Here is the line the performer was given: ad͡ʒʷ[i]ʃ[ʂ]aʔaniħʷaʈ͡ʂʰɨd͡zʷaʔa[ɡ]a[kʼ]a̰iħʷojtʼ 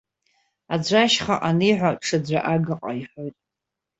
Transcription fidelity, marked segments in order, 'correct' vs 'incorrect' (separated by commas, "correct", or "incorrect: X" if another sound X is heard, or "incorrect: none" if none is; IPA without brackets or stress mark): incorrect: a, incorrect: χ, correct, incorrect: qʼ